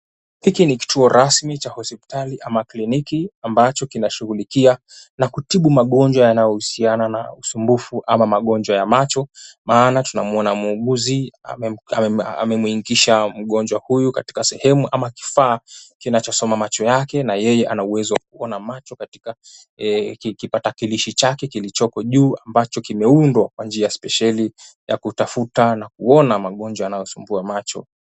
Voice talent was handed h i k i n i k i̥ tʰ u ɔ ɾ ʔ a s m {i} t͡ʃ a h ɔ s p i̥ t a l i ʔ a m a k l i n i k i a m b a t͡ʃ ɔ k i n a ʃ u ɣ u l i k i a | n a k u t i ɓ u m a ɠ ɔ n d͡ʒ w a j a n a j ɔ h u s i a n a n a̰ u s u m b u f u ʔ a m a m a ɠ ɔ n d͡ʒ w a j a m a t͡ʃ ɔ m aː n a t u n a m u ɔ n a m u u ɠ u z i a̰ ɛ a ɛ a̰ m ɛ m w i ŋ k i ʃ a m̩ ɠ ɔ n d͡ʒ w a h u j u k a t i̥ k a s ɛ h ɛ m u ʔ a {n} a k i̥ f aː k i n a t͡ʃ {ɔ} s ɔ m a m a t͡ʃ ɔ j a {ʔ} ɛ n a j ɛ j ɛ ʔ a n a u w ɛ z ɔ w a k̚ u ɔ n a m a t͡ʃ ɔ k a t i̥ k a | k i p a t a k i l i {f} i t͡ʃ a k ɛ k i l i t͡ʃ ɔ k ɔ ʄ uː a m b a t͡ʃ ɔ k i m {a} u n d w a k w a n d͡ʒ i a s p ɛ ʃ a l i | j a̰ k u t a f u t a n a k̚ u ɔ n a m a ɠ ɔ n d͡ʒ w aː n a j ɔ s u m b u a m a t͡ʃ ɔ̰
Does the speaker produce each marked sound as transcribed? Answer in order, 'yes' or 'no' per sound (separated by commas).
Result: yes, no, yes, no, no, no